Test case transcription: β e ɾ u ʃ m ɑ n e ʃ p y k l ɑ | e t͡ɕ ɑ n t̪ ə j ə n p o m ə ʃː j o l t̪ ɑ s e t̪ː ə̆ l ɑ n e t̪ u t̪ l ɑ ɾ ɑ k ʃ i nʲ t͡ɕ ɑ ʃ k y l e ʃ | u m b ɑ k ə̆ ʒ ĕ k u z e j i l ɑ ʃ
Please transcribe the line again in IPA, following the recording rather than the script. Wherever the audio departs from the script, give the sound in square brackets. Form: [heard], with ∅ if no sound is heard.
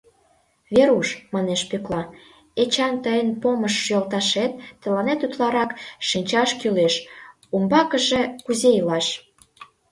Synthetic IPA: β e ɾ u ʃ m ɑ n e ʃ p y k l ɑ | e t͡ɕ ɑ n t̪ ə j ə n p o m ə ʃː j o l t̪ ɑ [ʃ] e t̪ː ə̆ l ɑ n e t̪ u t̪ l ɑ ɾ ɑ k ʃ i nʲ t͡ɕ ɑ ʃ k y l e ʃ | u m b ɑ k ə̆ ʒ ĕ k u z e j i l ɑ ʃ